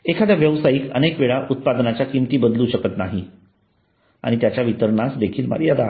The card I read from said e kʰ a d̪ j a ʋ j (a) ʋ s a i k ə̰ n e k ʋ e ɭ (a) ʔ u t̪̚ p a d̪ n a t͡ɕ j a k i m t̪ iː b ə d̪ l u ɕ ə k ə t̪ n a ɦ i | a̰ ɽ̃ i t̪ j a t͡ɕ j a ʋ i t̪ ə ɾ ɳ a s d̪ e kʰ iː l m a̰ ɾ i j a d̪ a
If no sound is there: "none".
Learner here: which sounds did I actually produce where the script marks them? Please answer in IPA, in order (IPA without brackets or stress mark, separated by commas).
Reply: ə, a